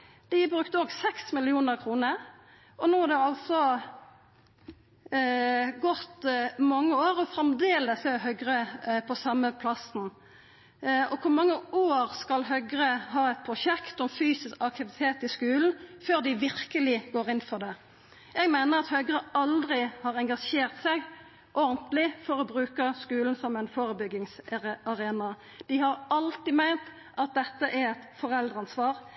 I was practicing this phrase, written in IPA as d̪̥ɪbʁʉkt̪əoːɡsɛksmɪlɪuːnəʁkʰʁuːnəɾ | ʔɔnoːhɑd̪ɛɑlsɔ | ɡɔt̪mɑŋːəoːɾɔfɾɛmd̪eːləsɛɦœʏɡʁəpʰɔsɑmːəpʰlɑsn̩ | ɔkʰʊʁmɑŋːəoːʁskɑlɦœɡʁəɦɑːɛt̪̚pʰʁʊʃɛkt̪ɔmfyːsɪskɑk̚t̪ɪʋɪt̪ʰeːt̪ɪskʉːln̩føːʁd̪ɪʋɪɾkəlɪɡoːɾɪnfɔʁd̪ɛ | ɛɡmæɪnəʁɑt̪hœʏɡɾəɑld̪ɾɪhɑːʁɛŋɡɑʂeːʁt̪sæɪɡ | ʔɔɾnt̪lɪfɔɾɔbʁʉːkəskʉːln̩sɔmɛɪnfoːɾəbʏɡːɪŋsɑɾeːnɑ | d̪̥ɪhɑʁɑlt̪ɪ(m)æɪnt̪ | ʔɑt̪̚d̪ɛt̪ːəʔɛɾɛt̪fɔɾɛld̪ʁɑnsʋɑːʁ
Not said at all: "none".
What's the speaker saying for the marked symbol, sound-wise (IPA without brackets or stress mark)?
m